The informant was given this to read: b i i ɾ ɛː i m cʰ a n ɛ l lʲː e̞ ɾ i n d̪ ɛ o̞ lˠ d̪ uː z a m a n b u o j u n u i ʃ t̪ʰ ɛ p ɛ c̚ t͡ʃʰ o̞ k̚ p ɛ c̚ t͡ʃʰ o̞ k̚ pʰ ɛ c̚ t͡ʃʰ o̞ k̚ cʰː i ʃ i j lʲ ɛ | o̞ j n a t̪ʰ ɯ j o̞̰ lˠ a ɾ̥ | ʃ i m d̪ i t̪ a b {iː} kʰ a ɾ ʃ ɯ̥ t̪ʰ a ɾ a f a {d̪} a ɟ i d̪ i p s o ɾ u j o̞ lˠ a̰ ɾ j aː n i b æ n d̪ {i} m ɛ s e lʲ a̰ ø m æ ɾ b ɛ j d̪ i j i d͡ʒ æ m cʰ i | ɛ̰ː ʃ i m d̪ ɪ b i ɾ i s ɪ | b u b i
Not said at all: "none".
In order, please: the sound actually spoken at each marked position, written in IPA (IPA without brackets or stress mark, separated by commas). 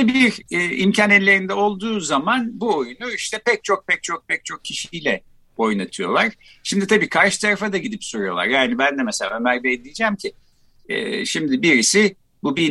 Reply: iː, d̪, ɛ